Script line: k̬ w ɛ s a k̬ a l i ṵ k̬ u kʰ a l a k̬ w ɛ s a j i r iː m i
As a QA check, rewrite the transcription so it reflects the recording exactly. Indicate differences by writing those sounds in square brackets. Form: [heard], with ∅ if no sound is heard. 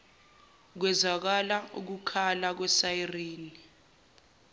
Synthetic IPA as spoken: k̬ w ɛ [z] a k̬ a l [a] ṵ k̬ u kʰ a l a k̬ w ɛ s a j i r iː [n] i